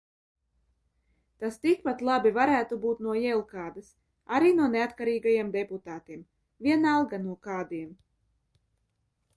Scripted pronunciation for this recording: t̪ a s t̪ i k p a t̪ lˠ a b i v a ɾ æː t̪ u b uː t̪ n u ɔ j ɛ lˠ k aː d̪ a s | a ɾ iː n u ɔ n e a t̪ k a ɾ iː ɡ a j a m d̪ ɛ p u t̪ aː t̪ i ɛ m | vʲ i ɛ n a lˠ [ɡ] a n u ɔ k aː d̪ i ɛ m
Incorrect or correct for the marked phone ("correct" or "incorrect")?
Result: correct